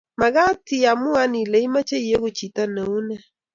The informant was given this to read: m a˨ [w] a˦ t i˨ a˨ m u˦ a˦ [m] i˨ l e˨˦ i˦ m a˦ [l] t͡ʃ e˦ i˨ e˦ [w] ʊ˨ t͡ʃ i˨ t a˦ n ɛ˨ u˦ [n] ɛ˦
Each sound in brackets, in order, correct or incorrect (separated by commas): incorrect, incorrect, incorrect, incorrect, correct